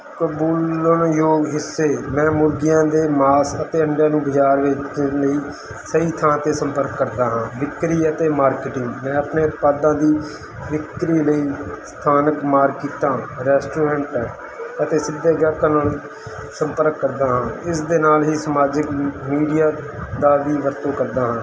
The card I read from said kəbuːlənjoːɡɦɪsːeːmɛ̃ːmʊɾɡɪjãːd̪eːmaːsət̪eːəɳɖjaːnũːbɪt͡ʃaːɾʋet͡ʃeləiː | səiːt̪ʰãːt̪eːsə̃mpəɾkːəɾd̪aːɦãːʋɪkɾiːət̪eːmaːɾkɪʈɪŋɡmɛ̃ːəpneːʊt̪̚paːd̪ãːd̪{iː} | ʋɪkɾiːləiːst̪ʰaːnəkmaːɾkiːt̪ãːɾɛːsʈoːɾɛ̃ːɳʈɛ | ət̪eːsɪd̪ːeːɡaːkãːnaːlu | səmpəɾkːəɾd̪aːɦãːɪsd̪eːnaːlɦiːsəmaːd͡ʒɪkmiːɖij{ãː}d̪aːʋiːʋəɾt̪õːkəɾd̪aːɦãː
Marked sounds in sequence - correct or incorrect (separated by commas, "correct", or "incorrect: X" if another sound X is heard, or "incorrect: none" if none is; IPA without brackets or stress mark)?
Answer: correct, incorrect: aː